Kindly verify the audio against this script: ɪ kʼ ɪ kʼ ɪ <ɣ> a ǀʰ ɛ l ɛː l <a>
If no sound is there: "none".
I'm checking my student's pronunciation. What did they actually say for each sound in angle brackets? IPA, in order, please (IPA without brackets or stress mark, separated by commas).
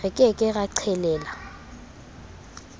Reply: ɣ, a